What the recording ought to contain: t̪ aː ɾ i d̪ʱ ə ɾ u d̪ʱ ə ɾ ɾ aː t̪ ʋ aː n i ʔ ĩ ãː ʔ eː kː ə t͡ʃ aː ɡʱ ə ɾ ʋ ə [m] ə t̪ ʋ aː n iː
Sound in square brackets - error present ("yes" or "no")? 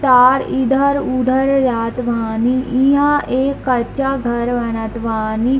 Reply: yes